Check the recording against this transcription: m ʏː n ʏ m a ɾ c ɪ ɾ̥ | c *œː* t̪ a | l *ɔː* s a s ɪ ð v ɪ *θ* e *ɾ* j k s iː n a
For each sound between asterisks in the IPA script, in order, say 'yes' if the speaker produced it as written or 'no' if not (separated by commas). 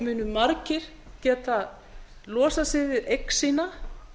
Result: no, yes, no, no